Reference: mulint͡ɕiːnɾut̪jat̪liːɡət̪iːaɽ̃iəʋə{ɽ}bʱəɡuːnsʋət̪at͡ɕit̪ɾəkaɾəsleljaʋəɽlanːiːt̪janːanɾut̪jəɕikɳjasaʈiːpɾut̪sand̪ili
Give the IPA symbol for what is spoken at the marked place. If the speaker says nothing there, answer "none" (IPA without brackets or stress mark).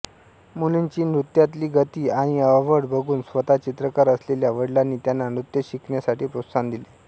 ɽ